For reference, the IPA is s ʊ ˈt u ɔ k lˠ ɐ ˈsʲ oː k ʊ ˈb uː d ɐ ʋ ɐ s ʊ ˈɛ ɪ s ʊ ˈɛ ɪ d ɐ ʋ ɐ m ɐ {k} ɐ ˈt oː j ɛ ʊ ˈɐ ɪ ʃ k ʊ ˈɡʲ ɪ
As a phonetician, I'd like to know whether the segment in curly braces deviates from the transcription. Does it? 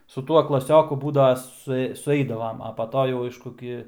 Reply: yes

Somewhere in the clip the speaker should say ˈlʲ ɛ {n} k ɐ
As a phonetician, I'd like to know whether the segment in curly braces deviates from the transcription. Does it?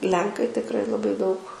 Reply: yes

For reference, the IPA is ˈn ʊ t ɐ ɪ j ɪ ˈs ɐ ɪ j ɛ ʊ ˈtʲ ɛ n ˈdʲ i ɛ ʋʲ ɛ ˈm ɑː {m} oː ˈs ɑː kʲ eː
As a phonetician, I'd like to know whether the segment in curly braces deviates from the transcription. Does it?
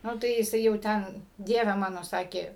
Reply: yes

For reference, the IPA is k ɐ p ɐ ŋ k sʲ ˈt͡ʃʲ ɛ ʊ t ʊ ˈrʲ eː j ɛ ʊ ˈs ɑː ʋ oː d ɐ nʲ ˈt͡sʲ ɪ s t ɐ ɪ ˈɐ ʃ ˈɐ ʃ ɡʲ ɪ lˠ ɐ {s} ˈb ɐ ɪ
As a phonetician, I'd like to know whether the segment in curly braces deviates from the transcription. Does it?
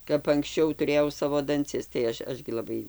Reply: yes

